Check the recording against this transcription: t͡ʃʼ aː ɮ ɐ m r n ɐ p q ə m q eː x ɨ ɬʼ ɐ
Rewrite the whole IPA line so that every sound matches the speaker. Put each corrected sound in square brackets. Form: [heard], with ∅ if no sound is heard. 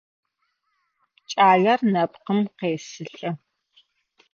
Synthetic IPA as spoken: t͡ʃʼ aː ɮ ɐ [∅] r n ɐ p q ə m q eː [s] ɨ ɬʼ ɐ